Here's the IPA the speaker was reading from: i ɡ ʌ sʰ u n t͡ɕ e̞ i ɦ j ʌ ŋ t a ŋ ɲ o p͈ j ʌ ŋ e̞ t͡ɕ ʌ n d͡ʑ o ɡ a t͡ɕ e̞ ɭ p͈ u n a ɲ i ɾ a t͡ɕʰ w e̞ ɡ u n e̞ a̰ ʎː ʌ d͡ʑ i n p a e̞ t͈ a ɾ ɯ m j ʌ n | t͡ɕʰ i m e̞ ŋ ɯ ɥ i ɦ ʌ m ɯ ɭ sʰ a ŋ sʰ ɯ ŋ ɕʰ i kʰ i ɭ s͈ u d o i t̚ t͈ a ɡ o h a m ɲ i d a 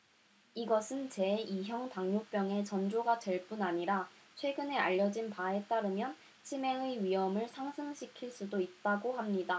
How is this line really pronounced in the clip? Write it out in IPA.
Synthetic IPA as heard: i ɡ ʌ sʰ ɯ n t͡ɕ e̞ i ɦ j ʌ ŋ t a ŋ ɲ o p͈ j ʌ ŋ e̞ t͡ɕ ʌ n d͡ʑ o ɡ a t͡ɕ e̞ ɭ p͈ u n a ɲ i ɾ a t͡ɕʰ w e̞ ɡ ɯ n e̞ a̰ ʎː ʌ d͡ʑ i n p a e̞ t͈ a ɾ ɯ m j ʌ n | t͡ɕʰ i m e̞ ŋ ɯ ɥ i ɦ ʌ m ɯ ɭ sʰ a ŋ sʰ ɯ ŋ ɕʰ i kʰ i ɭ s͈ u d o i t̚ t͈ a ɡ o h a m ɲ i d a